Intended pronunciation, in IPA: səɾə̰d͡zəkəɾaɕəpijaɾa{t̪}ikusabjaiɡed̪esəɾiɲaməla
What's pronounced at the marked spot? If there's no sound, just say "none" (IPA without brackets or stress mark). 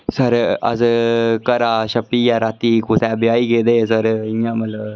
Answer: t̪